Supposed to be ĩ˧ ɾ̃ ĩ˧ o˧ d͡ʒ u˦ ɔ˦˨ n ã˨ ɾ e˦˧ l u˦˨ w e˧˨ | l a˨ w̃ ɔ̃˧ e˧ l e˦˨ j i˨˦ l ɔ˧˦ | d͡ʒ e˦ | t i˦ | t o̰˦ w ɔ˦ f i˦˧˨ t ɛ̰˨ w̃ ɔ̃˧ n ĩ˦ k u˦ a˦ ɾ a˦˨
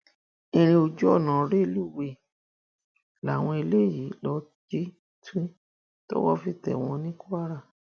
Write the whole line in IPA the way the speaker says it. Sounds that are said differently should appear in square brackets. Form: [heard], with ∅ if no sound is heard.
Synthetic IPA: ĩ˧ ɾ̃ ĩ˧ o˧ d͡ʒ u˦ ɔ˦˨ n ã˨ ɾ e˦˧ l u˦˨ w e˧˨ | l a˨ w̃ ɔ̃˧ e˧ l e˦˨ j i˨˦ l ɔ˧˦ | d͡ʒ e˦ | t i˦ | t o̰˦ w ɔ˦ f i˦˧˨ t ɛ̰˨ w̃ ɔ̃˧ n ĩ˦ k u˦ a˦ ɾ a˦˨